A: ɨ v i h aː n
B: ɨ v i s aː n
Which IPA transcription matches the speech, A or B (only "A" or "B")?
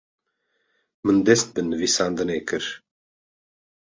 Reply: B